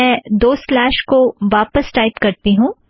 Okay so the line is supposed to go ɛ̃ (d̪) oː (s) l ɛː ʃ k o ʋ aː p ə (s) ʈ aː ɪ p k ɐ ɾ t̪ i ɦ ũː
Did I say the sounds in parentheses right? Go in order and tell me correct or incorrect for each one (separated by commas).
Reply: correct, correct, correct